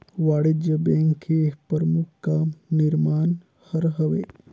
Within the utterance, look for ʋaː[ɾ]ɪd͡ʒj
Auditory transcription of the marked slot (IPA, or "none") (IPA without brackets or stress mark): ɽ